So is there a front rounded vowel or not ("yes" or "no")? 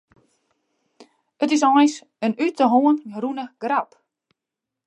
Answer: yes